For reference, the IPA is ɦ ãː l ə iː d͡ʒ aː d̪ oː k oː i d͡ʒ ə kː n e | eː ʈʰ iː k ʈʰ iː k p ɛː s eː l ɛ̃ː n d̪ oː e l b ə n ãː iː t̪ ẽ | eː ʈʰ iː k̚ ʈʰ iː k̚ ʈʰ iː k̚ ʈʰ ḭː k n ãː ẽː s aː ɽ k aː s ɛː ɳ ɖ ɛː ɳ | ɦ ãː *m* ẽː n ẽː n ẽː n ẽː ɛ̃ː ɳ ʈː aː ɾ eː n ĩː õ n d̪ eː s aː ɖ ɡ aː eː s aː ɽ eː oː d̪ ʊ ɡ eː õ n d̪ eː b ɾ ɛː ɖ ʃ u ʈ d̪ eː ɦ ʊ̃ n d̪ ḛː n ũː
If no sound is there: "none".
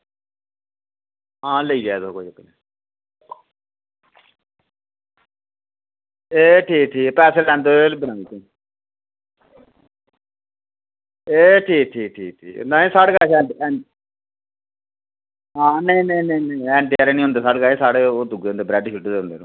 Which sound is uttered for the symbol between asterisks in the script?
n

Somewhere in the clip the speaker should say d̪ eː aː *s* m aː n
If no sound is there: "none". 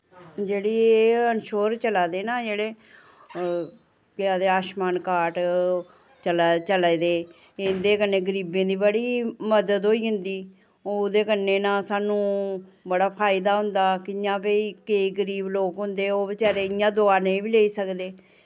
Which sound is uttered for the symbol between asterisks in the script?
ʃ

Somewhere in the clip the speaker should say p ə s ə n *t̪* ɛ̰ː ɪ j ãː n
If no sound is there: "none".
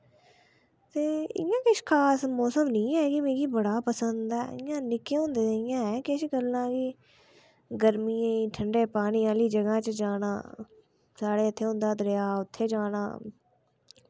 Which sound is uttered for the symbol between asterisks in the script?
d̪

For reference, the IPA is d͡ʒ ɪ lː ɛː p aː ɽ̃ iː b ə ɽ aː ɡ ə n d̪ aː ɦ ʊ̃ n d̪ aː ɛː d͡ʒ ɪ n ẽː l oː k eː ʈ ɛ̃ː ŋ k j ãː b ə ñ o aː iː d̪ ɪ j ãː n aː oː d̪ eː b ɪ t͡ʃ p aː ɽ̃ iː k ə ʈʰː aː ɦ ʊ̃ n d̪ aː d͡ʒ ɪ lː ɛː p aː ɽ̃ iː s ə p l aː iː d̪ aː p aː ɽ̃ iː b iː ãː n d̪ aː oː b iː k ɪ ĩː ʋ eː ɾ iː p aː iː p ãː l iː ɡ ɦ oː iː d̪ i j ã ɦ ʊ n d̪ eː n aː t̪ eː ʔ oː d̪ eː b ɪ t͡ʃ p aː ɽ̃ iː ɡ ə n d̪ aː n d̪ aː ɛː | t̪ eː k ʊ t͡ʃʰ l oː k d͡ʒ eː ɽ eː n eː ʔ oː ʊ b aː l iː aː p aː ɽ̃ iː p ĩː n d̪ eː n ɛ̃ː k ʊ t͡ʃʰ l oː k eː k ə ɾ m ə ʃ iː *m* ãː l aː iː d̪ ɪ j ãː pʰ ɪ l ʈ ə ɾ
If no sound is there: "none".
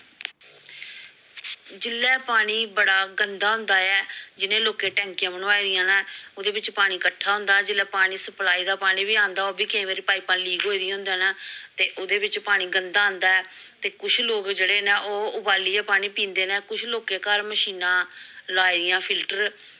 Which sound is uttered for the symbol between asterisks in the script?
n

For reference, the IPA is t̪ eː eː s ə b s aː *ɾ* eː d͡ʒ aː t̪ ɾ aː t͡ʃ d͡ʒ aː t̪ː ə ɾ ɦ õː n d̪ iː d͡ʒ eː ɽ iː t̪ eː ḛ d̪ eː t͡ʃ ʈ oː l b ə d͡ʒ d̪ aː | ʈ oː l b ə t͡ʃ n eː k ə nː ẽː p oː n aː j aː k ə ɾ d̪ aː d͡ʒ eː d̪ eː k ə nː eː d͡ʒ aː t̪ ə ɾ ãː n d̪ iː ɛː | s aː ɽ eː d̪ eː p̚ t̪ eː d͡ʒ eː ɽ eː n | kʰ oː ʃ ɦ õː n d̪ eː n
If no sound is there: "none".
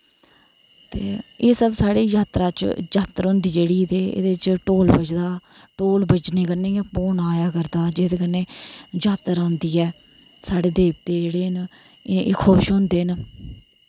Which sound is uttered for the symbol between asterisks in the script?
ɽ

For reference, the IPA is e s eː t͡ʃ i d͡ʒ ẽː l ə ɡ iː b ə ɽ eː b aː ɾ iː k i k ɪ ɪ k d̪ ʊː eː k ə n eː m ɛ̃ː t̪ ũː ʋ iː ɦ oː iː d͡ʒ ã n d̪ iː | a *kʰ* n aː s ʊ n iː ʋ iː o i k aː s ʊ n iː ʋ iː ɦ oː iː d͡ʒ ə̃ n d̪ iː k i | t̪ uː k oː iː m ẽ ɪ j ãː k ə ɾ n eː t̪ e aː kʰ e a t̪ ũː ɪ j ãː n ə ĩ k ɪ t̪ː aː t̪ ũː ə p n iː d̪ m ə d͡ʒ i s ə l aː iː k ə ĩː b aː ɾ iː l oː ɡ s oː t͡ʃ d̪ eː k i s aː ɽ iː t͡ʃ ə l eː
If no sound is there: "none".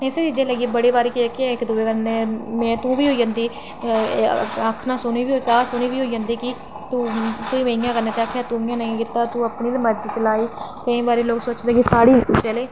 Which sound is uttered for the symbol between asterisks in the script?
kʰ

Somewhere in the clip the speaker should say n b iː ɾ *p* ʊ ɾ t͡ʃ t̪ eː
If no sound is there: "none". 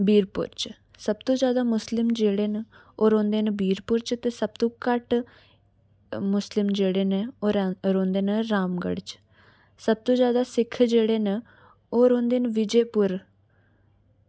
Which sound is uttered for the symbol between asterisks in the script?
p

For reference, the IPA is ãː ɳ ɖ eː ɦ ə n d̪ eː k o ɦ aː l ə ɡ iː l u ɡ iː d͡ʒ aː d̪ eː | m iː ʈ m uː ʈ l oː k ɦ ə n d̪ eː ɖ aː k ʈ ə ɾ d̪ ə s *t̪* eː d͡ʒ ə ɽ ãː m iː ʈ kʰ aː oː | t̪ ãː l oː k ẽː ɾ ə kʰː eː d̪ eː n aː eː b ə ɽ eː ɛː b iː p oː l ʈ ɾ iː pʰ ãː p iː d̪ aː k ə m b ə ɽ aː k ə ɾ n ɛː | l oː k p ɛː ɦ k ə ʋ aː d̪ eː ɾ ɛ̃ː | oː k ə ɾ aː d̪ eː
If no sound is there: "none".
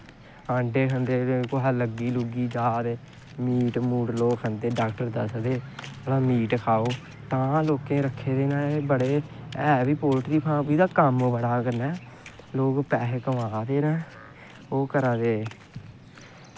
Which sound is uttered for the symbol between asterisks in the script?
d̪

